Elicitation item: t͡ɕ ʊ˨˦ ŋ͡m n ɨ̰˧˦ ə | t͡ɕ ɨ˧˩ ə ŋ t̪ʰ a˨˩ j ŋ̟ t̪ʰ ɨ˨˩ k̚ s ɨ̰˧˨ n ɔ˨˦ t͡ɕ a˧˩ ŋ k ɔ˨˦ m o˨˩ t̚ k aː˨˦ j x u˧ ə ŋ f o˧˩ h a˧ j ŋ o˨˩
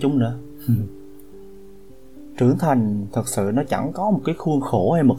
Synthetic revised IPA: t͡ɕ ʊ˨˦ ŋ͡m n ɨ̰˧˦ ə | t͡ɕ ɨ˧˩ ə ŋ t̪ʰ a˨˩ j ŋ̟ t̪ʰ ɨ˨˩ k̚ s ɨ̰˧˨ n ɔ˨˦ t͡ɕ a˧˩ ŋ k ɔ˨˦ m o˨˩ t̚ k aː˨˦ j x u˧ ə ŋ x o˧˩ h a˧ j m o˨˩